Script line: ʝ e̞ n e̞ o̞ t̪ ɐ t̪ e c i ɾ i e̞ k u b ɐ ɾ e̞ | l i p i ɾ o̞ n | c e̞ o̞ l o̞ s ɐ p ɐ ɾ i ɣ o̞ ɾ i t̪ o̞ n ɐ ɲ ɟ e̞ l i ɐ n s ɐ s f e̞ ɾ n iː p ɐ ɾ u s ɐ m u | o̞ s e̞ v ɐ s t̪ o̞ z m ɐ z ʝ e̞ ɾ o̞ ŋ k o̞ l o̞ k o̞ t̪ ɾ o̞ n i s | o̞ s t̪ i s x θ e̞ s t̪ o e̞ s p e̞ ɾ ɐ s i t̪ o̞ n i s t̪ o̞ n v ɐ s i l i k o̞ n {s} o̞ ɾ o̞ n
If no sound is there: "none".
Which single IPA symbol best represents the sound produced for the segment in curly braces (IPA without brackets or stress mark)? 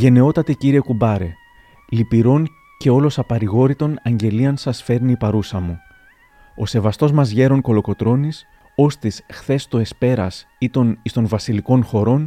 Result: x